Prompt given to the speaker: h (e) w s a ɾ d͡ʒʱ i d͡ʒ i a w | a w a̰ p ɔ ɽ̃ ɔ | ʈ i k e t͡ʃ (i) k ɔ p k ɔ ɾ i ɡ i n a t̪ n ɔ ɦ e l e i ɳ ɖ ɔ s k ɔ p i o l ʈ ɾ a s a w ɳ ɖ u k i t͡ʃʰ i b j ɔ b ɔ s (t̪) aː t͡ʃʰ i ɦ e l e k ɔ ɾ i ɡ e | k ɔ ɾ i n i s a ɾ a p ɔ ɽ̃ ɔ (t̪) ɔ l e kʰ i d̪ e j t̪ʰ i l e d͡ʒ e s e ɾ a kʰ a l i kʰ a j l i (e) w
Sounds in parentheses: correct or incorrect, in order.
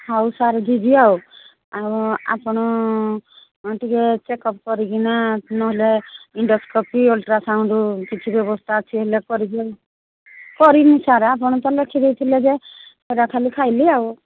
incorrect, incorrect, incorrect, correct, incorrect

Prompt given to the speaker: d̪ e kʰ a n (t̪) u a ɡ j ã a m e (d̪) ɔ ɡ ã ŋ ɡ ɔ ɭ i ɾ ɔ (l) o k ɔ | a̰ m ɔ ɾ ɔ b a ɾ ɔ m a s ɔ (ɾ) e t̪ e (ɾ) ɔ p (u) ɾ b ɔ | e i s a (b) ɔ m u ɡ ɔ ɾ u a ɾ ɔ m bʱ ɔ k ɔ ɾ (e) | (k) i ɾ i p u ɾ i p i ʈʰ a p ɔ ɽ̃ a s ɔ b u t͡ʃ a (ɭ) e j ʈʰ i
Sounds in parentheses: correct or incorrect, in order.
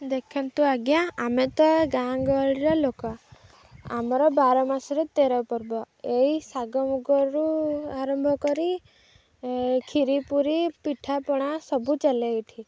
correct, incorrect, correct, correct, correct, incorrect, incorrect, incorrect, incorrect, incorrect

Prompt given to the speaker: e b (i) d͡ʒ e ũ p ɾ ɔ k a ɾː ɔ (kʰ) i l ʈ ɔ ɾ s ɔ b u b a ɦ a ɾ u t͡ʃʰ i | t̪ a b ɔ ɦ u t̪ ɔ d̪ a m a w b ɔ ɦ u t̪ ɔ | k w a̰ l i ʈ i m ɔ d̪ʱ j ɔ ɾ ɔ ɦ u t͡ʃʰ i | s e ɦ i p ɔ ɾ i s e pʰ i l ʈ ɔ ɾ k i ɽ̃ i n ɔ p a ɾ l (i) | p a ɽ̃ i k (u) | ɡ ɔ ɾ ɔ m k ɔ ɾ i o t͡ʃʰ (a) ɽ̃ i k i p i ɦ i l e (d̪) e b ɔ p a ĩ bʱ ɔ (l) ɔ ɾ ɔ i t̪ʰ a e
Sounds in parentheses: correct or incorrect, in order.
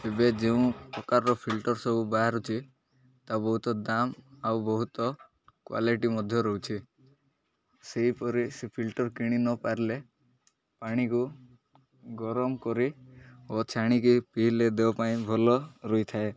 incorrect, incorrect, incorrect, correct, correct, correct, correct

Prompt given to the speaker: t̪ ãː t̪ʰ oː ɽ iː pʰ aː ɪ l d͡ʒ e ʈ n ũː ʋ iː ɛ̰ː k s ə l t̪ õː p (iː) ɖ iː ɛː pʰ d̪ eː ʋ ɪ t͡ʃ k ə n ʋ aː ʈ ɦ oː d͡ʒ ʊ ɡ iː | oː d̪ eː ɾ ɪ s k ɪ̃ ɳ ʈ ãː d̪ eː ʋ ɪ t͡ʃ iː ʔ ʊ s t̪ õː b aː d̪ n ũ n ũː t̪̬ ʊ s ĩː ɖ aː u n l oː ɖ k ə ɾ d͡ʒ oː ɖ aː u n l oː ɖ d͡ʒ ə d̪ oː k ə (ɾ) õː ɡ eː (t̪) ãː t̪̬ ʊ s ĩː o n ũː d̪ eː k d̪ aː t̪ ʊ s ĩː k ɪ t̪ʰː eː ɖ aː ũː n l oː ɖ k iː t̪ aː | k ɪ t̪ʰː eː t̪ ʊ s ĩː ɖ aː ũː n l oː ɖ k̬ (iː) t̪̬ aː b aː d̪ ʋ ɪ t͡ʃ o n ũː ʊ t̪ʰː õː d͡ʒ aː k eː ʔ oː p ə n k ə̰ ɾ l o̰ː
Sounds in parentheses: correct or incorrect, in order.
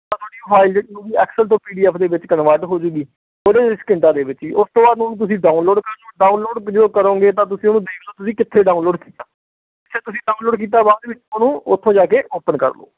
correct, correct, correct, correct

